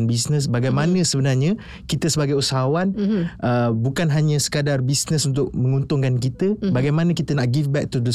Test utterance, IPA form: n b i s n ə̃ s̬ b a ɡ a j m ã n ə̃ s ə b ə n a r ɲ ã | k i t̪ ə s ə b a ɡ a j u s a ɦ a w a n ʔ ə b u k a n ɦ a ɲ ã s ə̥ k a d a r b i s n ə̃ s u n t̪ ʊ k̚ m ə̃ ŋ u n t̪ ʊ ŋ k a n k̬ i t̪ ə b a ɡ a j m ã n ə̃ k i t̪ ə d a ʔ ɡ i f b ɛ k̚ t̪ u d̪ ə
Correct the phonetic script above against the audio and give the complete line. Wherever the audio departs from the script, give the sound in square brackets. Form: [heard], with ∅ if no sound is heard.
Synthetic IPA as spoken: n b i s n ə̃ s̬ b a ɡ a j m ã n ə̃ s ə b ə n a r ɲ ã | k i t̪ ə s ə b a ɡ a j u s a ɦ a w a n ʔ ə b u k a n ɦ a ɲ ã s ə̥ k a d a r b i s n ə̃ s u n t̪ ʊ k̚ m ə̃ ŋ u n t̪ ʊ ŋ k a n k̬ i t̪ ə b a ɡ a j m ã n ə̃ k i t̪ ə [n] a ʔ ɡ i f b ɛ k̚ t̪ u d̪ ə